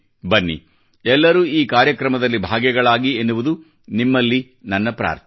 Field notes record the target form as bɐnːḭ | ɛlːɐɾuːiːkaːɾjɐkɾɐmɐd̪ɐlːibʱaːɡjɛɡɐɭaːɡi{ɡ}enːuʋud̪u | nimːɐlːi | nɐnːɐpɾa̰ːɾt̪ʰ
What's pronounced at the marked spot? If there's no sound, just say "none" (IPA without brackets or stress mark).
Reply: none